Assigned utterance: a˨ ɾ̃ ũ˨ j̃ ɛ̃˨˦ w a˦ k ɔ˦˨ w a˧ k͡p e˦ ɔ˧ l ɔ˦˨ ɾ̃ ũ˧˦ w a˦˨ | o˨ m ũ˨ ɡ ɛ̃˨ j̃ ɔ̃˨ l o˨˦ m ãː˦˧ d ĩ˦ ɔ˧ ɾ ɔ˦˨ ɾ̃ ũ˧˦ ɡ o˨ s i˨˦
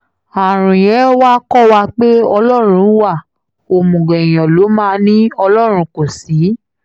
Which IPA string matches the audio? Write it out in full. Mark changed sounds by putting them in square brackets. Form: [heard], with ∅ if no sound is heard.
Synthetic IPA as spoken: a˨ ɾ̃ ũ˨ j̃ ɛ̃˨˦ w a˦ k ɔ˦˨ w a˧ k͡p e˦ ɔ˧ l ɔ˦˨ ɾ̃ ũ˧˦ w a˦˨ | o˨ m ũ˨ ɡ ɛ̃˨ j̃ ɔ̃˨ l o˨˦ m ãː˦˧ [n] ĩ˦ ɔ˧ [l] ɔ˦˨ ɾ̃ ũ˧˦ [k] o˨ s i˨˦